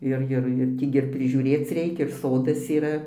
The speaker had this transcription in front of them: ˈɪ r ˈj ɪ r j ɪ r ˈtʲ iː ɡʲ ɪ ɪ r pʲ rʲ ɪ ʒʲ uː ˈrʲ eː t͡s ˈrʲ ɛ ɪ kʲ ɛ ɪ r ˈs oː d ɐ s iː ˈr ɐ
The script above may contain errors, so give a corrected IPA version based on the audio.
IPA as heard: ˈɪ r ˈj ɪ r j ɪ r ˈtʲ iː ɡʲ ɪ ɪ r pʲ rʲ ɪ ʒʲ uː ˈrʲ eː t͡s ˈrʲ ɛ ɪ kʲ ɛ ɪ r ˈs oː d ɐ s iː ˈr ɐ